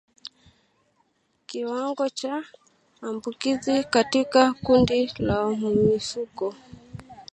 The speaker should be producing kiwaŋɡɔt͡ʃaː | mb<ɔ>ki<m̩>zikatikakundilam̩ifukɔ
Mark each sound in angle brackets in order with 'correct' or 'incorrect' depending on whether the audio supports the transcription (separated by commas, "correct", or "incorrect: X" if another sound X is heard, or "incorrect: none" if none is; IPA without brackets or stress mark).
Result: incorrect: u, incorrect: none